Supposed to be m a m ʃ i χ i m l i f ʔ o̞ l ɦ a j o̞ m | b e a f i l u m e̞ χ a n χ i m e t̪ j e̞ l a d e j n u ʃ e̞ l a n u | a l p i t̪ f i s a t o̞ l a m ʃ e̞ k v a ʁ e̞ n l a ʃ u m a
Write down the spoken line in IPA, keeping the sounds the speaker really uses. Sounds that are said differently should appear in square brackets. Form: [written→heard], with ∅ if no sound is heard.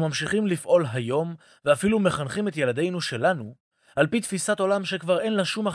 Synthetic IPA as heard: m a m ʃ i χ i m l i f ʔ o̞ l ɦ a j o̞ m | [b→v] e a f i l u m e̞ χ a n χ i m e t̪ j e̞ l a d e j n u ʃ e̞ l a n u | a l p i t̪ f i s a t o̞ l a m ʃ e̞ k v a ʁ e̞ n l a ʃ u m a